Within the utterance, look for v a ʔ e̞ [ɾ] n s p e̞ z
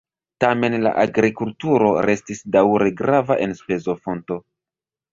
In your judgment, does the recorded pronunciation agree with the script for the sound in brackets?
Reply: no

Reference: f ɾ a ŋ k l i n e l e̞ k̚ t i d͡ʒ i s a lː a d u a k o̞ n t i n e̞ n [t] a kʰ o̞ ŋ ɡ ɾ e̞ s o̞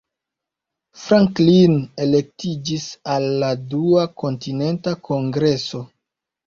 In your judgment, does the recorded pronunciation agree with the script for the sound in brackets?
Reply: yes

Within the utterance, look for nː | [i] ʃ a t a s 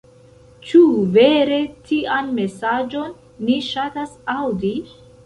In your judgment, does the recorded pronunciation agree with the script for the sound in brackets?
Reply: yes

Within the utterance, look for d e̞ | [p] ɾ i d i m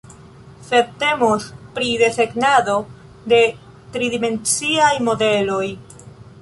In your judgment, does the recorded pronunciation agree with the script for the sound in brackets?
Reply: no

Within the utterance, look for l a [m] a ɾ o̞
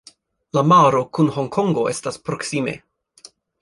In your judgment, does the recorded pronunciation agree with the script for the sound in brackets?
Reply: yes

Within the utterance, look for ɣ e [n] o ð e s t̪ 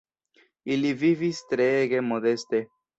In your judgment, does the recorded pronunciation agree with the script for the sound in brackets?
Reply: no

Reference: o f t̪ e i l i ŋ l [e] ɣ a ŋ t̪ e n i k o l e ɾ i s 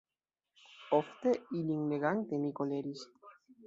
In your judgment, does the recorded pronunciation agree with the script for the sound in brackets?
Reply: yes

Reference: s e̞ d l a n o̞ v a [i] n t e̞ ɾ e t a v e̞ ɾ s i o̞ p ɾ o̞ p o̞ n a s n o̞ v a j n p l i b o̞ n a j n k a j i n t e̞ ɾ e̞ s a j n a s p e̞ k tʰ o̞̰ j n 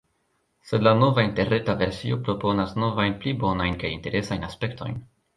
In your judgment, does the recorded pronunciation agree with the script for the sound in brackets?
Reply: yes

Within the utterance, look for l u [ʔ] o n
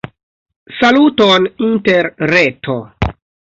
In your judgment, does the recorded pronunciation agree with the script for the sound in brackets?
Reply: no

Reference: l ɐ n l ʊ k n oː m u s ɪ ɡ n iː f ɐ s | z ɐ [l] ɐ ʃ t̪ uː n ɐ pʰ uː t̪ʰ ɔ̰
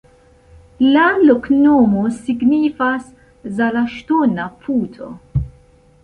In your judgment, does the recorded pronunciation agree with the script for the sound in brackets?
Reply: yes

